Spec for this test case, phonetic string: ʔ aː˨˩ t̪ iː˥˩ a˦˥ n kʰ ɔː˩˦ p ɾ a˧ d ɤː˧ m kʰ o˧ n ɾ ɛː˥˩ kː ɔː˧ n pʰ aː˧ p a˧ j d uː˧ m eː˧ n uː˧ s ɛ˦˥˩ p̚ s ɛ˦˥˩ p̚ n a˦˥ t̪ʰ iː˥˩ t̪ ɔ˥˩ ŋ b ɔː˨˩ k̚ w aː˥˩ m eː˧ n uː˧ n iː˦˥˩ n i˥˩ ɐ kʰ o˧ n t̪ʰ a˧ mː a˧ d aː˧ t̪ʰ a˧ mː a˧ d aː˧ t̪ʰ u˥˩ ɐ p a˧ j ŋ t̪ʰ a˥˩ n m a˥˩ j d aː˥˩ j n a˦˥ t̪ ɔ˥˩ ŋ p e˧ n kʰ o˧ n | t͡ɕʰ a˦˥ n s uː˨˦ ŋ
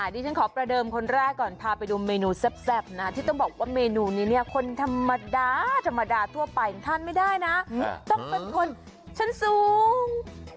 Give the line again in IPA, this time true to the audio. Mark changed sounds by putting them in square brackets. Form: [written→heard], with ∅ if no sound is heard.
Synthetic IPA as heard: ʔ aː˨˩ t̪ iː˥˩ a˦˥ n kʰ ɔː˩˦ p ɾ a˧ d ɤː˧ m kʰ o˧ n ɾ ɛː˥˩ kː [ɔː˧→ɔː˨˩] n pʰ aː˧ p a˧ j d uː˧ m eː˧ n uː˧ s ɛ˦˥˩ p̚ s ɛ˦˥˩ p̚ n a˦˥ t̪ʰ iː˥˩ t̪ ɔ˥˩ ŋ b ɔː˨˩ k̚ w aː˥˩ m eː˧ n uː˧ n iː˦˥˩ n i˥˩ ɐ kʰ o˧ n t̪ʰ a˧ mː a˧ d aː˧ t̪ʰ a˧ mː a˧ d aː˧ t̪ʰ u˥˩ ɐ p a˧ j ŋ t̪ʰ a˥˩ n m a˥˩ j d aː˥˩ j n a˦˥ t̪ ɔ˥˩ ŋ p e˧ n kʰ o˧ n | t͡ɕʰ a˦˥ n s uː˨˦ ŋ